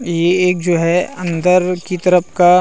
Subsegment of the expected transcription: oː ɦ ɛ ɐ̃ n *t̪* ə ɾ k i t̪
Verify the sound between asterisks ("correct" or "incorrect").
incorrect